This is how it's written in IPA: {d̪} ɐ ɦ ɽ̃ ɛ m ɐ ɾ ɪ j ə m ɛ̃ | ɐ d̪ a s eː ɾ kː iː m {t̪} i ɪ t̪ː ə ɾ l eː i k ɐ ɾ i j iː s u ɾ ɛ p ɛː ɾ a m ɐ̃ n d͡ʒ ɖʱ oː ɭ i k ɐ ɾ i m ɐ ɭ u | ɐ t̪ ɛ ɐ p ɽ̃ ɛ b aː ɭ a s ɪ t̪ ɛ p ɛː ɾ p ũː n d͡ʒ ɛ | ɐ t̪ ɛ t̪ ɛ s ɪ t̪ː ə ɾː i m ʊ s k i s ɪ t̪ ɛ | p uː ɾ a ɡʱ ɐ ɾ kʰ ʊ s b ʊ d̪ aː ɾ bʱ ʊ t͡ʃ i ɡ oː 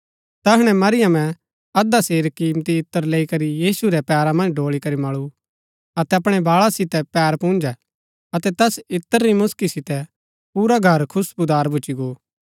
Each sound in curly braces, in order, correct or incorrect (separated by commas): incorrect, correct